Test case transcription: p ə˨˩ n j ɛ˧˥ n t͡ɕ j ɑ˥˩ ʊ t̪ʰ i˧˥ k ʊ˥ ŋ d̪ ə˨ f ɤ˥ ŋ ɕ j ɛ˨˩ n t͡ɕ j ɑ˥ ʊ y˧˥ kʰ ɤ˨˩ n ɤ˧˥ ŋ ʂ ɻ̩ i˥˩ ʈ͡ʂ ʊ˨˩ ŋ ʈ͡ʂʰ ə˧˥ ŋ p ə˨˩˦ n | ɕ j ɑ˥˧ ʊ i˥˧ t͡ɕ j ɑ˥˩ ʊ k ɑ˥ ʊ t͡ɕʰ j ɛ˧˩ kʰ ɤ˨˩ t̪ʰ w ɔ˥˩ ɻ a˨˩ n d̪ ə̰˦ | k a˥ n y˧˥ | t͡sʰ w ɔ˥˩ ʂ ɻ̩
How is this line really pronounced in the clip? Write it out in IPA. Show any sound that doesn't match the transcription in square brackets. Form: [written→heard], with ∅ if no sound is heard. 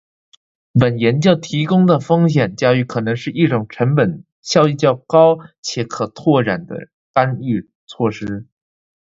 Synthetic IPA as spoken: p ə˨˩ n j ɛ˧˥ n t͡ɕ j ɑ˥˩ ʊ t̪ʰ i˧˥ k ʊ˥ ŋ d̪ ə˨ f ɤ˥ ŋ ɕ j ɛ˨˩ n t͡ɕ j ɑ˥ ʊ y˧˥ kʰ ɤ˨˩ n ɤ˧˥ ŋ ʂ ɻ̩ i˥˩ ʈ͡ʂ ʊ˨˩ ŋ ʈ͡ʂʰ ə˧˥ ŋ p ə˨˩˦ n | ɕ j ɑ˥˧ ʊ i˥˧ t͡ɕ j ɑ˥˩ ʊ k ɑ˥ ʊ t͡ɕʰ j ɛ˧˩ kʰ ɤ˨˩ t̪ʰ w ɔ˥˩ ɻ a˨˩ n d̪ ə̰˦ | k a˥ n [y˧˥→y˥˧] | t͡sʰ w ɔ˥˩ ʂ ɻ̩